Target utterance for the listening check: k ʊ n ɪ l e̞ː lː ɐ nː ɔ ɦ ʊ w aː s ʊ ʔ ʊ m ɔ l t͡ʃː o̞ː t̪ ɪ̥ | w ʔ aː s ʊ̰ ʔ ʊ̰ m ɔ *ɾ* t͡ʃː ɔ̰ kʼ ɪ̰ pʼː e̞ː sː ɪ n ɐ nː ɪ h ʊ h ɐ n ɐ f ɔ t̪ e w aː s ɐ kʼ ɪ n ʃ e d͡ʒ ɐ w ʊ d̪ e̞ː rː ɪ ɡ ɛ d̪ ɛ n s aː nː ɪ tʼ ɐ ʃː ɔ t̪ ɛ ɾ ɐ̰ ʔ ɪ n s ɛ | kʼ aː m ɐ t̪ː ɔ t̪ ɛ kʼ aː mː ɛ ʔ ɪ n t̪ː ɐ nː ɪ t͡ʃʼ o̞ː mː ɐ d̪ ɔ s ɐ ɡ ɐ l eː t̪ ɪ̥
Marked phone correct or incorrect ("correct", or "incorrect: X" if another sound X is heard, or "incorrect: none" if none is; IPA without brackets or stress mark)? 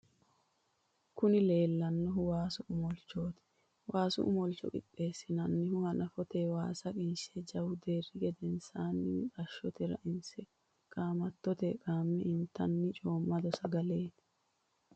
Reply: incorrect: l